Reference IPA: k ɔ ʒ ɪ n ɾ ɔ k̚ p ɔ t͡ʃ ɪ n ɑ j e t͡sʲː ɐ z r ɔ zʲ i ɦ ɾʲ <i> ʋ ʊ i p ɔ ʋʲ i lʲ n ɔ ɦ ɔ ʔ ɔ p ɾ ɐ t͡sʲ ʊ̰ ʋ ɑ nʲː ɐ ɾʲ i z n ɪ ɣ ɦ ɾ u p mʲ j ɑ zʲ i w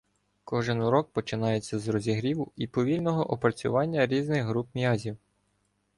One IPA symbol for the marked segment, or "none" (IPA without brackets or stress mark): i